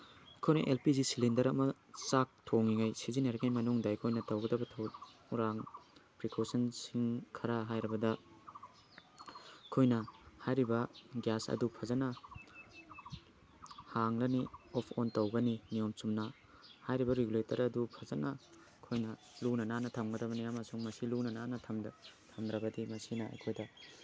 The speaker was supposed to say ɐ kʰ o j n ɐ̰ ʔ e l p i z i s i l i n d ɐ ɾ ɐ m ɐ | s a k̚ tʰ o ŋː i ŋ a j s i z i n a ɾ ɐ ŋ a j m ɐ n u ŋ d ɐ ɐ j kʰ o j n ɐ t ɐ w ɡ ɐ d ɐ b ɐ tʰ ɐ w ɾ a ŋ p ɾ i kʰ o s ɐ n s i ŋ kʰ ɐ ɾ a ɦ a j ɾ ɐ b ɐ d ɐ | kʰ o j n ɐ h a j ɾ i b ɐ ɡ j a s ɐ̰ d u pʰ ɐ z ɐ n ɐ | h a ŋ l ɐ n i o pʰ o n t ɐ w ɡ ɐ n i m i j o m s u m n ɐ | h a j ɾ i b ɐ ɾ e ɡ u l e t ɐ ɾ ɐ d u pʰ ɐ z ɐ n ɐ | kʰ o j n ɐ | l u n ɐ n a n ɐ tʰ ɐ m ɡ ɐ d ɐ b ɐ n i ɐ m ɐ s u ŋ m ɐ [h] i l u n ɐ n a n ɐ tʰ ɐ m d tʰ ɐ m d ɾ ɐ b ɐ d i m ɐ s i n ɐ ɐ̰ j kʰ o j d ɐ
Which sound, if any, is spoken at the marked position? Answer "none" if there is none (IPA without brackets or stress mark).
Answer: s